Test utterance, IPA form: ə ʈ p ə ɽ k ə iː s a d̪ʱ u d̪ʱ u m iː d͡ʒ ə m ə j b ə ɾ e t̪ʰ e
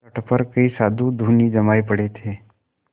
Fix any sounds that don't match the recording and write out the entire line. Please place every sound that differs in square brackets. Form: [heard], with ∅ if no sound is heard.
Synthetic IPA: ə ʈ p ə [ɾ] k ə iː s a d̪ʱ u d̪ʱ u [n] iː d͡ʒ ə m [a] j [p] ə [ɽ] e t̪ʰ e